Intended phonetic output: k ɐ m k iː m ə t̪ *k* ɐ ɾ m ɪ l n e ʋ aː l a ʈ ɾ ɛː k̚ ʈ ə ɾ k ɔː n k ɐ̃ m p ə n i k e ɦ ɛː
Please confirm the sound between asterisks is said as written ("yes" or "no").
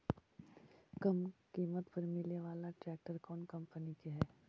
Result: no